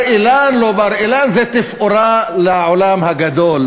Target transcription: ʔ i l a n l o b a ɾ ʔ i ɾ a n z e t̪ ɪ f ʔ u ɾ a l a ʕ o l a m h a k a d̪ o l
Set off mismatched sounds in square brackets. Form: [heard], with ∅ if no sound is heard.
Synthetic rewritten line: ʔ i l a n l o b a ɾ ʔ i [l] a n z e t̪ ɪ f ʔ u ɾ a l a ʕ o l a m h a [ɡ] a d̪ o l